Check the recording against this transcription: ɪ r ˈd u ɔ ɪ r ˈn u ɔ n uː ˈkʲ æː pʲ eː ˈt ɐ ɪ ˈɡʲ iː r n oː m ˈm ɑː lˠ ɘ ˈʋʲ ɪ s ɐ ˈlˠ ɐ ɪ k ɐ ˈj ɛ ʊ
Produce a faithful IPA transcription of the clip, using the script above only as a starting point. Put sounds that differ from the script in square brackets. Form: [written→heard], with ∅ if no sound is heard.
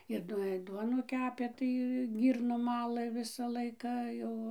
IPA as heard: ɪ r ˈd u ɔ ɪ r [ˈn→ˈd] u ɔ n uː ˈkʲ æː pʲ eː ˈt ɐ ɪ ˈɡʲ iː r n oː m ˈm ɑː lˠ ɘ ˈʋʲ ɪ s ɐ ˈlˠ ɐ ɪ k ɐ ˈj ɛ ʊ